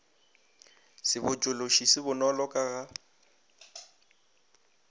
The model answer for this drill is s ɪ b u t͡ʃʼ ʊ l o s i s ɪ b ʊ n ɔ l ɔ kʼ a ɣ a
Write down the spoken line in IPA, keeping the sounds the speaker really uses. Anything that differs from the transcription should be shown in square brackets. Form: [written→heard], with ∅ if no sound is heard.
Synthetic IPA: s ɪ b [u→ʊ] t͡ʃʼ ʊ l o [s→ʃ] i s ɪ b ʊ n ɔ l ɔ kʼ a ɣ a